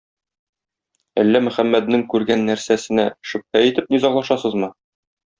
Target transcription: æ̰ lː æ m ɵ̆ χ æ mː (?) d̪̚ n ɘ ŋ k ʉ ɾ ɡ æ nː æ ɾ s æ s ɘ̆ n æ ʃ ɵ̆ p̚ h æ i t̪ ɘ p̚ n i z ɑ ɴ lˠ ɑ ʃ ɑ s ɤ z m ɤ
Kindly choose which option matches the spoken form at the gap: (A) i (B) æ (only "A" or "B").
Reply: B